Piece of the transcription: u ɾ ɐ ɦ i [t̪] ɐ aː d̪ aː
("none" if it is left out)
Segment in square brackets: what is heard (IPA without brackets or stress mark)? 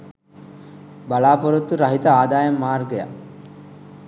t̪